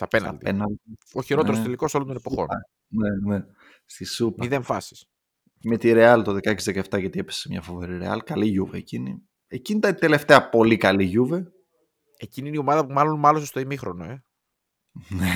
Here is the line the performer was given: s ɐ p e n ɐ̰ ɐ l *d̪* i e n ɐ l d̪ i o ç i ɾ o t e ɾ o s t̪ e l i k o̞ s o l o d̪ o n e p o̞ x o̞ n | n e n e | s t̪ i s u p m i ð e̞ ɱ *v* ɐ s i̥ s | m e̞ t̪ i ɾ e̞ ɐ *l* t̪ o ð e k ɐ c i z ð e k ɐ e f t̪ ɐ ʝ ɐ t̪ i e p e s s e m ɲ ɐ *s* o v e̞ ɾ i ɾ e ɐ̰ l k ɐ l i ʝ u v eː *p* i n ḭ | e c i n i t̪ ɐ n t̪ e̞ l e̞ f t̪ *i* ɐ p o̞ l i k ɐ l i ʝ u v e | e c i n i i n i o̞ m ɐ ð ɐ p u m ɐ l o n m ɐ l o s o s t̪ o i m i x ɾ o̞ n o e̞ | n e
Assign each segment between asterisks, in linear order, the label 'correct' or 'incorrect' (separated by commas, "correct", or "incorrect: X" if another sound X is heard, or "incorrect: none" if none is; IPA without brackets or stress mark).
correct, incorrect: f, correct, incorrect: f, incorrect: c, incorrect: e